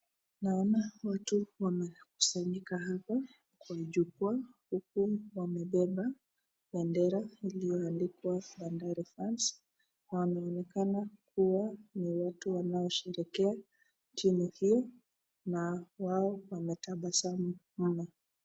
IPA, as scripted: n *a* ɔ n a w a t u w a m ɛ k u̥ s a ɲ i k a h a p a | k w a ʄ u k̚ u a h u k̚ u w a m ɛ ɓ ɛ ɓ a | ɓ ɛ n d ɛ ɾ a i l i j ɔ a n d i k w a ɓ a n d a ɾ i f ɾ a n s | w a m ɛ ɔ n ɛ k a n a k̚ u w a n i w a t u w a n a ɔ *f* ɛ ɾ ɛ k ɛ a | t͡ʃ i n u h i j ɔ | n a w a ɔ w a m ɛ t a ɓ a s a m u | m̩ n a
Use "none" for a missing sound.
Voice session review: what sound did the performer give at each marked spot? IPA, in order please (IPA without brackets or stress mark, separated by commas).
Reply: a, ʃ